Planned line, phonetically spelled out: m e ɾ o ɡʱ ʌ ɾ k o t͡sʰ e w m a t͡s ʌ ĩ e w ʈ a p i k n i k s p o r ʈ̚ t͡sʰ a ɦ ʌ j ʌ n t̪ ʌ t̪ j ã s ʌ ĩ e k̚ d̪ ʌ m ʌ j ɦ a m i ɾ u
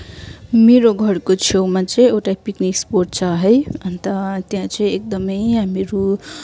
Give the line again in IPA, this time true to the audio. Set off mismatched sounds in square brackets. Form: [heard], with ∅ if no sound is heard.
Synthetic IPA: m e ɾ o ɡʱ ʌ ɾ k o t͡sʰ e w m a t͡s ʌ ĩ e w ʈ a p i k n i k s p o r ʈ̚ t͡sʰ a ɦ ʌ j ʌ n t̪ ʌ t̪ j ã [t͡s] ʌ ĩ e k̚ d̪ ʌ m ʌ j ɦ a m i ɾ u